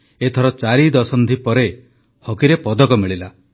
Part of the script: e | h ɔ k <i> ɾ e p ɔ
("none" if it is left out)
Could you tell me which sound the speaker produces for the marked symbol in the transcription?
i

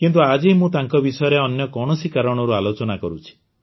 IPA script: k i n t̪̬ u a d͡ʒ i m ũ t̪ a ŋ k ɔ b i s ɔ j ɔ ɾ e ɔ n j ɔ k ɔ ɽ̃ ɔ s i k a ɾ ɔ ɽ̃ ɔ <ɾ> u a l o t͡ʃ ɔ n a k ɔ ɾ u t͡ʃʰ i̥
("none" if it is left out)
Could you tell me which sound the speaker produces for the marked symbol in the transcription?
ɾ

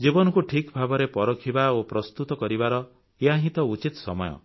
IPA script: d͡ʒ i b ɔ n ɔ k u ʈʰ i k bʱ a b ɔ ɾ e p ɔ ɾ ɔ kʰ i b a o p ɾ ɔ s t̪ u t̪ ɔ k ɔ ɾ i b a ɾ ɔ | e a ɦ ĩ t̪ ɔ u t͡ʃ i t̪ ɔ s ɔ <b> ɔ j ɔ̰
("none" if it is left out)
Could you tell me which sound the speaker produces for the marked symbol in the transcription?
m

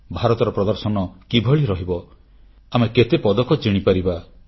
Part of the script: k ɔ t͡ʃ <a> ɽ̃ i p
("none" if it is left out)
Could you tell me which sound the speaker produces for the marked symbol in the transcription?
i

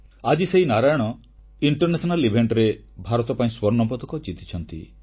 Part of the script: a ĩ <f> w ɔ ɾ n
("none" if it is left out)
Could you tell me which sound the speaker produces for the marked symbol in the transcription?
s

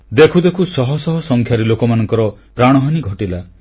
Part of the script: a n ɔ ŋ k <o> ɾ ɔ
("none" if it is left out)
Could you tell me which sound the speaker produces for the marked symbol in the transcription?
ɔ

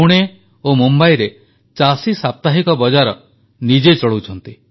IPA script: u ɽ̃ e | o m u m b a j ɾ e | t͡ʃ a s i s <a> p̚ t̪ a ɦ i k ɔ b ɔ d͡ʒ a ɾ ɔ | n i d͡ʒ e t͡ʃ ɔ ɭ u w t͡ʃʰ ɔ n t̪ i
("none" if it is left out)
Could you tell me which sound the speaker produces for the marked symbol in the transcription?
a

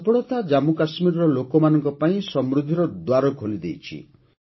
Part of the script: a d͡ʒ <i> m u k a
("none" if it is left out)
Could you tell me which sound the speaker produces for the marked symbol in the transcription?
a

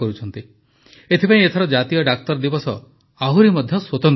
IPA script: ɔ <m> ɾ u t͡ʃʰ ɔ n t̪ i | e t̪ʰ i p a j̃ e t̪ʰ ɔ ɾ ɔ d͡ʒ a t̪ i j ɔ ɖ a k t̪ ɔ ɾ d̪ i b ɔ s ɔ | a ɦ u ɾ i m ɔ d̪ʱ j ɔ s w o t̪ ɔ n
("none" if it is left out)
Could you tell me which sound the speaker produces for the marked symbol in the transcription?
none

